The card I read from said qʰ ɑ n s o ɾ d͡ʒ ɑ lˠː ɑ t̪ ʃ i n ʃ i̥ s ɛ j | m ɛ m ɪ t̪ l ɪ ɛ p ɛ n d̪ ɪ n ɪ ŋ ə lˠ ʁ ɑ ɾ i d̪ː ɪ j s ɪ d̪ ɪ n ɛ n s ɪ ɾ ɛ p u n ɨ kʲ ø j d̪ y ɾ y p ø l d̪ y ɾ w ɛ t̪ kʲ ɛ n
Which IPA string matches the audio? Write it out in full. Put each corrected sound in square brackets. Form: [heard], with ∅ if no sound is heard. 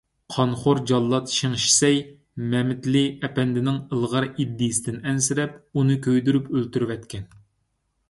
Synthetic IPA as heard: qʰ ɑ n [χ] o ɾ d͡ʒ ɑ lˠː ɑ t̪ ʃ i [ŋ] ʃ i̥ s ɛ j | m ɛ m ɪ t̪ l ɪ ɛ p ɛ n d̪ ɪ n ɪ ŋ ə lˠ ʁ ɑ ɾ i d̪ː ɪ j s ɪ d̪ ɪ n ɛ n s ɪ ɾ ɛ p u n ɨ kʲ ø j d̪ y ɾ y p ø l [t̪] y ɾ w ɛ t̪ kʲ ɛ n